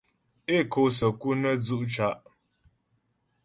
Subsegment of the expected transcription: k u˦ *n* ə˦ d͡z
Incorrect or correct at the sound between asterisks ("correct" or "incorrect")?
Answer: correct